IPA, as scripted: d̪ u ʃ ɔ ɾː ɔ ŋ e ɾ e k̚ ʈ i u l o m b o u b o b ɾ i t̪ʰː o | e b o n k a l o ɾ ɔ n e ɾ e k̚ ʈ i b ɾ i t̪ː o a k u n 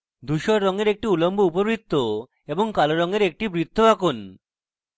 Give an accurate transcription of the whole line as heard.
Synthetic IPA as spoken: d̪ u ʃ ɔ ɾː ɔ ŋ e ɾ e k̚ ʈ i u l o m b o u p o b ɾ i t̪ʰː o | e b o ŋ k a l o ɾ ɔ ŋ e ɾ e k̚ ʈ i b ɾ i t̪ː o a k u n

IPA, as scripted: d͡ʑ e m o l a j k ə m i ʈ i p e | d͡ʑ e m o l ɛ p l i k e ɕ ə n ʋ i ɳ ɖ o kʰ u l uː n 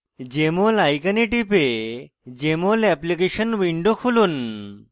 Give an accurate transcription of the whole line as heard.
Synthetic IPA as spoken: d͡ʑ e m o l a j k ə n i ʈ i p e | d͡ʑ e m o l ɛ p l i k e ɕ ə n ʋ i ɳ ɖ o kʰ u l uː n

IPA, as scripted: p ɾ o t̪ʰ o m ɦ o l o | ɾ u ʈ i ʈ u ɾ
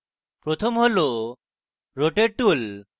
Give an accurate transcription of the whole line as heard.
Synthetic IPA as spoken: p ɾ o t̪ʰ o m ɦ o l o | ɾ o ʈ e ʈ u l

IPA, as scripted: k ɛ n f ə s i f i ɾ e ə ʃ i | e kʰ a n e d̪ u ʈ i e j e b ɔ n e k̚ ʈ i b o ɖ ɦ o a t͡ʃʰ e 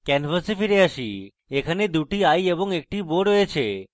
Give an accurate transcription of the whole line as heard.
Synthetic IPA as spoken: k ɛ n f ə s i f i ɾ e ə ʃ i | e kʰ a n e d̪ u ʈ i a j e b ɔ ŋ e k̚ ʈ i b o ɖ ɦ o e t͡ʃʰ e

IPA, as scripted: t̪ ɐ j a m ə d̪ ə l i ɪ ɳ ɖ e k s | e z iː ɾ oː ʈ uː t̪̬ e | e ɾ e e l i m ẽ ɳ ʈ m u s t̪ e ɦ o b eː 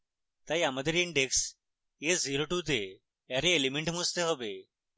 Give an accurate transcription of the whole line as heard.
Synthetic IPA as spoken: t̪ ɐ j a m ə d̪ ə ɾ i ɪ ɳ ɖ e k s | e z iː ɾ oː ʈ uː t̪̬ e | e ɾ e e l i m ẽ ɳ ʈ m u s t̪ e ɦ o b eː

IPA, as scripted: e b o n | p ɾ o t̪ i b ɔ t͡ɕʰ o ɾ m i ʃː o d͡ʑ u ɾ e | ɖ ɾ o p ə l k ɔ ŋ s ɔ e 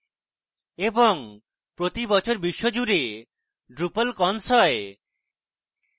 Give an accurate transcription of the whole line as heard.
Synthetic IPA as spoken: e b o ŋ | p ɾ o t̪ i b ɔ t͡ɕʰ o ɾ b i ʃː o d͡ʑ u ɾ e | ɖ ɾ u p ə l k ɔ n s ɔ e

